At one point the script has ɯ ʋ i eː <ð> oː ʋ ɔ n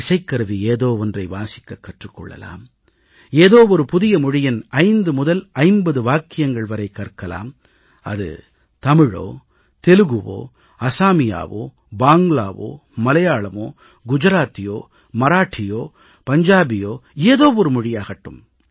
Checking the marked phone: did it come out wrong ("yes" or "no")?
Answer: no